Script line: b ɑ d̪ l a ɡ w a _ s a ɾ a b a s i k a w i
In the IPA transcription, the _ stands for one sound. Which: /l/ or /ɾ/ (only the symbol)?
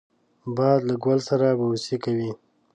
l